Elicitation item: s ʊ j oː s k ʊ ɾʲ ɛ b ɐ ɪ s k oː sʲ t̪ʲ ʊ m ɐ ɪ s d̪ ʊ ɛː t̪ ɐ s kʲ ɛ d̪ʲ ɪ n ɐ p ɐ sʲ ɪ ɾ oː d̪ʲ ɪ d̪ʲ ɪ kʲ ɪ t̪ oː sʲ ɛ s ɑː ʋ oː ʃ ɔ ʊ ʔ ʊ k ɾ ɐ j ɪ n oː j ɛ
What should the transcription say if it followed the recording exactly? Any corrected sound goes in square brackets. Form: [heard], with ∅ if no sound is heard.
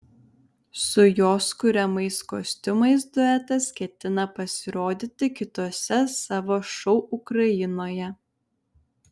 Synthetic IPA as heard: s ʊ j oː s k ʊ ɾʲ ɛ [m] ɐ ɪ s k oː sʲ t̪ʲ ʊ m ɐ ɪ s d̪ ʊ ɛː t̪ ɐ s kʲ ɛ [t̪ʲ] ɪ n ɐ p ɐ sʲ ɪ ɾ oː d̪ʲ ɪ [t̪ʲ] ɪ kʲ ɪ t̪ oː sʲ ɛ s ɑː ʋ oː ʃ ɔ ʊ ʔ ʊ k ɾ ɐ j ɪ n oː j ɛ